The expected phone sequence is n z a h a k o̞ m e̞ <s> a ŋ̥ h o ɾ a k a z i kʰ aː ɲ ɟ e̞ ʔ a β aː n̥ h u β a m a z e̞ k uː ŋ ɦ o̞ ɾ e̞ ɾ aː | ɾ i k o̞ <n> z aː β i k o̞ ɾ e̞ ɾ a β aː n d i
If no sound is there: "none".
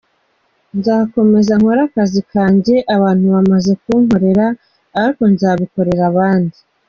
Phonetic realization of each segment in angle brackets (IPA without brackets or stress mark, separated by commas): z, n